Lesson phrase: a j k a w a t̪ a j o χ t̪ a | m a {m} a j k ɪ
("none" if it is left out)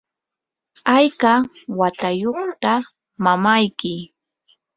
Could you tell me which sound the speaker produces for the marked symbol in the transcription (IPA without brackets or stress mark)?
m